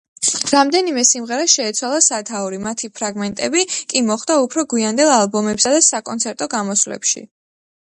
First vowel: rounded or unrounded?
unrounded